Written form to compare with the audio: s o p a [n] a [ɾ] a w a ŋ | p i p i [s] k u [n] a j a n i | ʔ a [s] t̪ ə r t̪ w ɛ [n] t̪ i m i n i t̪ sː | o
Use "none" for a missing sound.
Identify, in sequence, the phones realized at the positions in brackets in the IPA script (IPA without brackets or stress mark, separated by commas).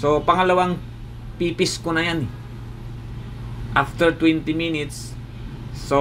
ŋ, l, s, n, f, n